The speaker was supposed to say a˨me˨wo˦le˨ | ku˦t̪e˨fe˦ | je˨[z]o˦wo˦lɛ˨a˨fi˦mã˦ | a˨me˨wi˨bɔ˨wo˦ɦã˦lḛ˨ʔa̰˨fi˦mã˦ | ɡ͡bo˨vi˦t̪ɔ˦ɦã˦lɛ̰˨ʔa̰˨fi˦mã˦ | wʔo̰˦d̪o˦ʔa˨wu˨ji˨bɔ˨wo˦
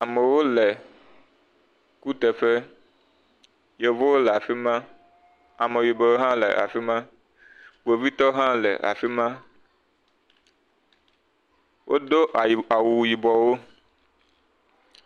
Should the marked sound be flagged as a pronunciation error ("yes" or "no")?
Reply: yes